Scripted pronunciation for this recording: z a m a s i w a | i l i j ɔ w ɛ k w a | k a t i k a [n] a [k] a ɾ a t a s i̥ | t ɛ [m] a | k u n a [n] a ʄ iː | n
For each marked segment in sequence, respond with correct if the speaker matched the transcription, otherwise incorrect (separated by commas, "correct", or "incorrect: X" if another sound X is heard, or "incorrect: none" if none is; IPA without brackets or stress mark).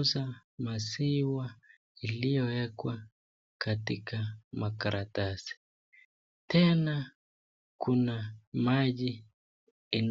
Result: incorrect: m, correct, incorrect: n, incorrect: m